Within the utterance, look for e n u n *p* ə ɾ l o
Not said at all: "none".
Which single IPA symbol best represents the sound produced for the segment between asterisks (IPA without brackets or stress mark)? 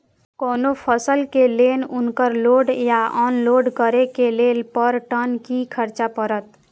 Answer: k